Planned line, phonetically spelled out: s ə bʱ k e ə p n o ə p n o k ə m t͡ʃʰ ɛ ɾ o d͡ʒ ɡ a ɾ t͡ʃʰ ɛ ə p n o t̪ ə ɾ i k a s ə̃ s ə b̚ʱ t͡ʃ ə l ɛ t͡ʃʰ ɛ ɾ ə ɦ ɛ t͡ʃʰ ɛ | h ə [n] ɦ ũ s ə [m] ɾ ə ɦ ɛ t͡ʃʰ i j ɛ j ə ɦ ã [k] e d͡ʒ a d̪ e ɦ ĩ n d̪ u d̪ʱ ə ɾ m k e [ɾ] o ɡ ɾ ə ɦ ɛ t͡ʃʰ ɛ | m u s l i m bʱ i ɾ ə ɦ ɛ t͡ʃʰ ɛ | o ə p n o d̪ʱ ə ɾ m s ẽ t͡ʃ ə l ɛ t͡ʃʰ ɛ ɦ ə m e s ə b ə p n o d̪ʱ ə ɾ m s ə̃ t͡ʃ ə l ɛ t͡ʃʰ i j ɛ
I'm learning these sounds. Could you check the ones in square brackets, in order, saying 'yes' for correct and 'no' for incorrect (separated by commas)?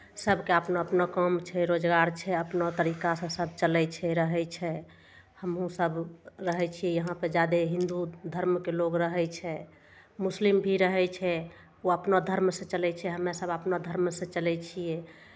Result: no, no, no, no